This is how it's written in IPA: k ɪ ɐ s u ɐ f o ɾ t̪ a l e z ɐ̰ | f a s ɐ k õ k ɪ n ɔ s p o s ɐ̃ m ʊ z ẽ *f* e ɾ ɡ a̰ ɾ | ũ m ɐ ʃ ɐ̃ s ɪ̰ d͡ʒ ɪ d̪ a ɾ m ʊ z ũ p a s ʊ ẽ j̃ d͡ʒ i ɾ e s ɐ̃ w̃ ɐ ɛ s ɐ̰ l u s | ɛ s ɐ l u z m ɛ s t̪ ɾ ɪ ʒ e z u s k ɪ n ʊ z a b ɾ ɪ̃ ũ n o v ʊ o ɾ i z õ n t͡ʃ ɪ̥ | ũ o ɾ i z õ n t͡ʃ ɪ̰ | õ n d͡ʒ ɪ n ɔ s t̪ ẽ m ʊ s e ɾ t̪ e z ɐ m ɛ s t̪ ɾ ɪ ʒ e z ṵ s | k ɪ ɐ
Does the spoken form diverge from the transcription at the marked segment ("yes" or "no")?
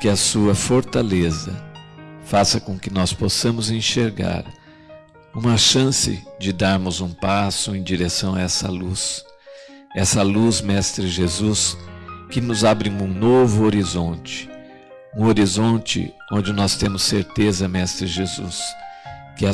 yes